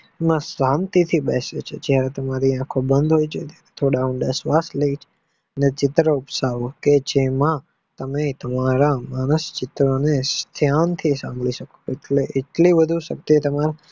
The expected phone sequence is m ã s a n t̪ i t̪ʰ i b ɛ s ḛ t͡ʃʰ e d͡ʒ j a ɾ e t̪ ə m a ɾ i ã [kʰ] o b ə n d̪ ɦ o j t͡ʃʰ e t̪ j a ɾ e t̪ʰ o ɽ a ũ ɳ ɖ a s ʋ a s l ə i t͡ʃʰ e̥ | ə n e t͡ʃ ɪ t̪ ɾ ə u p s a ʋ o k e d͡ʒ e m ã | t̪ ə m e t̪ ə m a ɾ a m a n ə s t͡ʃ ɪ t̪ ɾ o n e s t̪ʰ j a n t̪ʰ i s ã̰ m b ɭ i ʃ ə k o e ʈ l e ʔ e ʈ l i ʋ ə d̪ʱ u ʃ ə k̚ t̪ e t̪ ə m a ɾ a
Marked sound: correct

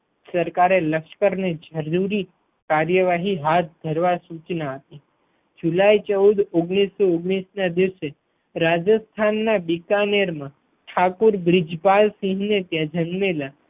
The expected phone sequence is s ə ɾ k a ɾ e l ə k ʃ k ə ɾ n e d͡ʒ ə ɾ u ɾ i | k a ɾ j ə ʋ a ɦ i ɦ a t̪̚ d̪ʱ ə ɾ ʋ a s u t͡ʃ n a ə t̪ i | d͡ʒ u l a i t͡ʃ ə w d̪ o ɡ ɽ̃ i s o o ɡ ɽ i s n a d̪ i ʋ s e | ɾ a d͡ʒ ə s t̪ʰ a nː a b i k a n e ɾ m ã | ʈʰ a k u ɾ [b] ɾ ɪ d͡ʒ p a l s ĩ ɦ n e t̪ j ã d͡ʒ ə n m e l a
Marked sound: correct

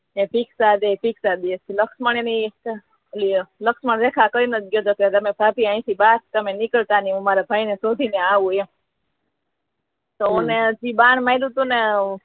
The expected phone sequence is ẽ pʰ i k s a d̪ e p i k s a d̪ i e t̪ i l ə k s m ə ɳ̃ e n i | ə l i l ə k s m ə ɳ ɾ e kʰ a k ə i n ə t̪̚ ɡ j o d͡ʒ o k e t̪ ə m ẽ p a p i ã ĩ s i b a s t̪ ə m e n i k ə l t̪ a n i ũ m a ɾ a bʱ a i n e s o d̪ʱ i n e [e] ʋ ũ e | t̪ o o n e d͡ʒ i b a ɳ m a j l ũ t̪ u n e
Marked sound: incorrect: a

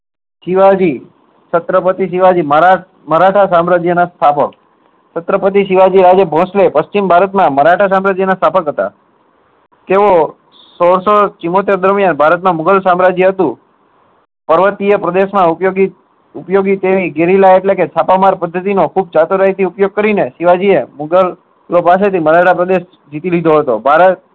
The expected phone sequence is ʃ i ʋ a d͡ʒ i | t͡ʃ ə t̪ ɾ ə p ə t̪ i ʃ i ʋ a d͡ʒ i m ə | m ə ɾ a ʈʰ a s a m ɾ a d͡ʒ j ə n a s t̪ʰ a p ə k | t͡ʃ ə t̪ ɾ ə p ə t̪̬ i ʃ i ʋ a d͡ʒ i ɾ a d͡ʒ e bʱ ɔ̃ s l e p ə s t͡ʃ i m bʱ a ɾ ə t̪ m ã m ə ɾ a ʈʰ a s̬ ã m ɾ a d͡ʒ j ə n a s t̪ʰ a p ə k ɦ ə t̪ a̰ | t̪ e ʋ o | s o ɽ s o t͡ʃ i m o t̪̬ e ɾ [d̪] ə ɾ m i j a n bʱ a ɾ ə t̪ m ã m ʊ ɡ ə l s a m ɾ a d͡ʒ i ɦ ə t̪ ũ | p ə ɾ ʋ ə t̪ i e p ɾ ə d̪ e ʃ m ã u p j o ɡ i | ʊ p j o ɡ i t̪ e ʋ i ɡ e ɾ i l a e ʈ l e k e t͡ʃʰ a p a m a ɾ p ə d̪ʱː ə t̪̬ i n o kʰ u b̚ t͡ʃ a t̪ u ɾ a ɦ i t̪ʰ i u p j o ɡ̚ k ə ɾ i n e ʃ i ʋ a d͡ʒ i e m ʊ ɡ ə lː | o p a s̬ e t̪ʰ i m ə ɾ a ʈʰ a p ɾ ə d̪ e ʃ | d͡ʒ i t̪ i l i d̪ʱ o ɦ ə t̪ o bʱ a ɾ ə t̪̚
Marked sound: correct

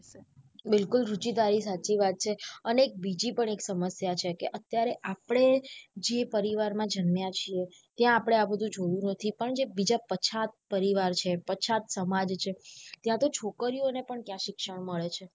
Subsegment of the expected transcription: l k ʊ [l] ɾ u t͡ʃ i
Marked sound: correct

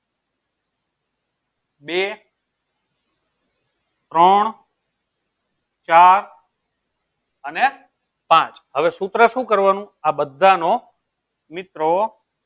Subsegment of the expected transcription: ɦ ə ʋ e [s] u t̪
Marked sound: correct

